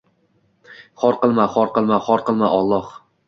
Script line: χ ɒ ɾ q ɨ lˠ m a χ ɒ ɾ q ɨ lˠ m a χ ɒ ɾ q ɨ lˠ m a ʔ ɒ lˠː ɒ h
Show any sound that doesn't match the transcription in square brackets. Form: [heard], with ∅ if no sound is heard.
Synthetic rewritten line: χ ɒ ɾ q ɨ lˠ m a χ ɒ ɾ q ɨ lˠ m a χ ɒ ɾ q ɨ lˠ m a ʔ ɒ lˠː ɒ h